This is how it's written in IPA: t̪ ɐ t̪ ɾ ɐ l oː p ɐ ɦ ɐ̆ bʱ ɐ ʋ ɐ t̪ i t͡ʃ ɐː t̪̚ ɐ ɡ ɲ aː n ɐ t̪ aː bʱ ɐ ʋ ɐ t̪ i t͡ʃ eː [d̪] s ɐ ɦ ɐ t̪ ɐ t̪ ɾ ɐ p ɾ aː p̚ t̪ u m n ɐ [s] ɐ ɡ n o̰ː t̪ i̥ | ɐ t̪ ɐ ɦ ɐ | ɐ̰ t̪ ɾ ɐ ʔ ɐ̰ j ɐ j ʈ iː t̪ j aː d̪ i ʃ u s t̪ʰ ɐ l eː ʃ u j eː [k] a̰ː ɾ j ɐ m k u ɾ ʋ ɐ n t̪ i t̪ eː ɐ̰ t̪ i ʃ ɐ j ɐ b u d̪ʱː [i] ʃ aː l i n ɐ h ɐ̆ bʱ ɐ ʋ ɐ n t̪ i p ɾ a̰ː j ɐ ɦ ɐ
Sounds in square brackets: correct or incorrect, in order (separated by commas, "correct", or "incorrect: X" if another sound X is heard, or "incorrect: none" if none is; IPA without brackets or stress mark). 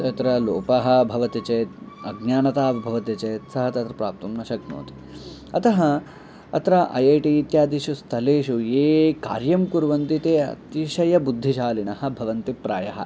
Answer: incorrect: t̪, incorrect: ʃ, correct, correct